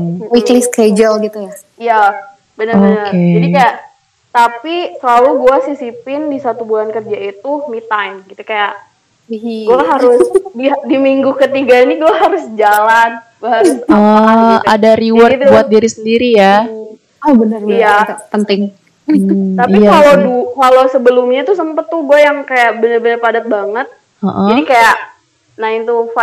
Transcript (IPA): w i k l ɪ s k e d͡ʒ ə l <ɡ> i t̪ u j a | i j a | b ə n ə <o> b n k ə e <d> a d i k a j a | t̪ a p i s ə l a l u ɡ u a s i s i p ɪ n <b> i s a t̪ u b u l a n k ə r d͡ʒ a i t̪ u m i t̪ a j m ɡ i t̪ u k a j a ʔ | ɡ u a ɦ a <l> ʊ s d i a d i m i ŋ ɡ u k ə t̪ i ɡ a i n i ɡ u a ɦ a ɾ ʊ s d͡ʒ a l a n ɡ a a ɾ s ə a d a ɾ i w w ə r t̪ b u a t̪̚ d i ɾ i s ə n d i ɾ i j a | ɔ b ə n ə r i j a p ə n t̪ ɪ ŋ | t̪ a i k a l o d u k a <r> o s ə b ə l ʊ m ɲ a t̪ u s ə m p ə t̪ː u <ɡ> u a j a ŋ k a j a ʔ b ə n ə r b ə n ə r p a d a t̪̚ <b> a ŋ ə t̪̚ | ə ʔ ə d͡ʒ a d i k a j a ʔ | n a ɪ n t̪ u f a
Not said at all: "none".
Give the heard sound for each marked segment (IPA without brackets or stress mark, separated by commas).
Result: ɡ, o, d͡ʒ, d, ɾ, l, ɡ, b